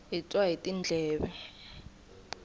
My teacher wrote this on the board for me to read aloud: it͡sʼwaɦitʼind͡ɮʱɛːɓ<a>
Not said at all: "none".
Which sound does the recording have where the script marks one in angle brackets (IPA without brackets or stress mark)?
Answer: ɛ